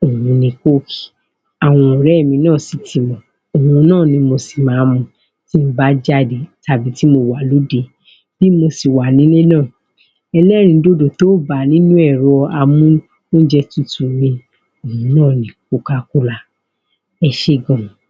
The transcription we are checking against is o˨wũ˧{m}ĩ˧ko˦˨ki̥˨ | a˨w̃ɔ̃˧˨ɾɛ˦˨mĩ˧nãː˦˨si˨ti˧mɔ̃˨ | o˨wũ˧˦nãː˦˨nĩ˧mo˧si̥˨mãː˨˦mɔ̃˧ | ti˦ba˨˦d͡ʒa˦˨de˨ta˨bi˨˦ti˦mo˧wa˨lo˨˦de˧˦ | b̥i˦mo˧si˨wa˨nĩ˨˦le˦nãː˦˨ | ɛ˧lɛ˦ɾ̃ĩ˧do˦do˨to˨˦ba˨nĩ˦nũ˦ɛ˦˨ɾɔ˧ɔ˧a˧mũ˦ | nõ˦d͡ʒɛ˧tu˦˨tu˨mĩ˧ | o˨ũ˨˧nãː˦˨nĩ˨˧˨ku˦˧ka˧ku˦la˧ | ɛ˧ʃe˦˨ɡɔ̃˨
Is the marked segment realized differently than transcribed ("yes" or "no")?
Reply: yes